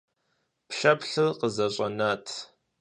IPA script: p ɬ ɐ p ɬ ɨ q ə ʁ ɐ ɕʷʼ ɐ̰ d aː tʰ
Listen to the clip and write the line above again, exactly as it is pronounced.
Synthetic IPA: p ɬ ɐ p ɬ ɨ q ə z ɐ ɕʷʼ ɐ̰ n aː tʰ